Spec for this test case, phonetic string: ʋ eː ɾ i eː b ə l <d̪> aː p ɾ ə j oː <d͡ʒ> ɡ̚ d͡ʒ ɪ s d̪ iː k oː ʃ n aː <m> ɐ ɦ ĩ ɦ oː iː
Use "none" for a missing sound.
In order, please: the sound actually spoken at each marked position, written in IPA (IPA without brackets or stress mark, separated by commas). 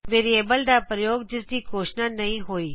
d̪, none, n